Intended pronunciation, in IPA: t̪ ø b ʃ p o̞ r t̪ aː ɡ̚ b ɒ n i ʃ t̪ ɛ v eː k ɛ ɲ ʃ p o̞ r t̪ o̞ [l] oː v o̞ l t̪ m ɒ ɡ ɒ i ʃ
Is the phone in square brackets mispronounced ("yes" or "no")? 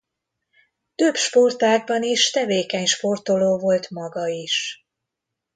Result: no